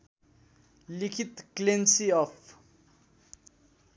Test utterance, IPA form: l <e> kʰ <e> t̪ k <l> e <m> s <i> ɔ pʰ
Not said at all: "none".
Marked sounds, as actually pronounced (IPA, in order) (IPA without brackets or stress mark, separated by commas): i, i, l, n, i